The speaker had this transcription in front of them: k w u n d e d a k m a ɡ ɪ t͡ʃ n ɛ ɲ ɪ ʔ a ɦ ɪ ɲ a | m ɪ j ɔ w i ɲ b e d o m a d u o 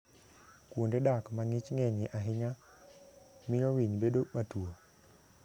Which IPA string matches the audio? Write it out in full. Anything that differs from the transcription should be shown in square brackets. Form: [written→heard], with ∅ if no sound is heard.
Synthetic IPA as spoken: k w [u→o] n d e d a k m a [ɡ→ŋ] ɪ t͡ʃ [n→ŋ] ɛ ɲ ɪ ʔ a ɦ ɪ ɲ a | m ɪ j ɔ w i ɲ b e d o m a [d→t] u o